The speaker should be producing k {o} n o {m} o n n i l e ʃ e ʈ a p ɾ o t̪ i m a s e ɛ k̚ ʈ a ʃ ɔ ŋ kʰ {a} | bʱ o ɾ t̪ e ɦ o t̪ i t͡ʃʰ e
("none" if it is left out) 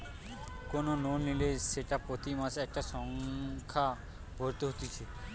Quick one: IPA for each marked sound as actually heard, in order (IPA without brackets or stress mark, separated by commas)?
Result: o, n, a